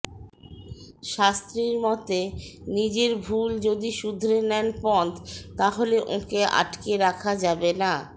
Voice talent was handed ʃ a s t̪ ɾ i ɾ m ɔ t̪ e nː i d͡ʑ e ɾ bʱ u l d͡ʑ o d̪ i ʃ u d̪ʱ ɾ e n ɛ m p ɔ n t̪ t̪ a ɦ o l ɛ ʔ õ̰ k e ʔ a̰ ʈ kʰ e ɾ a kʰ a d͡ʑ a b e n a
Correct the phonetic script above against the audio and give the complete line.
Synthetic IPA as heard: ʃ a s t̪ ɾ i ɾ m ɔ t̪ e n i d͡ʑ e ɾ bʱ u l d͡ʑ o d̪ i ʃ u d̪ʱ ɾ e n ɛ n p ɔ n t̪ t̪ a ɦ o l e ʔ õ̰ k e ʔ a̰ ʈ k e ɾ a kʰ a d͡ʑ a b e n a